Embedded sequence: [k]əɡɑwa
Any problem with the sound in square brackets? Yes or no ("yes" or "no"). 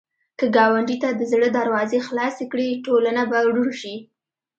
no